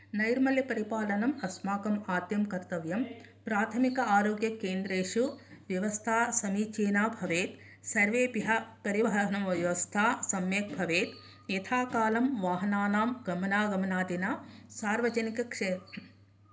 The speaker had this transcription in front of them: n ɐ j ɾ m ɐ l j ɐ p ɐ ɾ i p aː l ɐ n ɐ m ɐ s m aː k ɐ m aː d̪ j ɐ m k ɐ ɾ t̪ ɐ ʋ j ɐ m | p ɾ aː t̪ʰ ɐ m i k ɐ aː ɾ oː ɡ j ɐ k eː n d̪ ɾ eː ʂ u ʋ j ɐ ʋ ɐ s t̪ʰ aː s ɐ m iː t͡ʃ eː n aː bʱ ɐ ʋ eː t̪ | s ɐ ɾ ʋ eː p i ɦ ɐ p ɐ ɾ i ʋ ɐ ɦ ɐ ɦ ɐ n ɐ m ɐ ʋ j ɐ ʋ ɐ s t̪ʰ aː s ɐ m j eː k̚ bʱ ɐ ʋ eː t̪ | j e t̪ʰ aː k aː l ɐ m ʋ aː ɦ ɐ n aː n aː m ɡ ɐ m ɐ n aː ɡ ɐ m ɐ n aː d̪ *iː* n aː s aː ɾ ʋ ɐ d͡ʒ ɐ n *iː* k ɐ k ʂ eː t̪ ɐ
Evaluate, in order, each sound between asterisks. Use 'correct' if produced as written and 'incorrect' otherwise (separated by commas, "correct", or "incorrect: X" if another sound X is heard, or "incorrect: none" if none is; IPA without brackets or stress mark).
incorrect: i, incorrect: i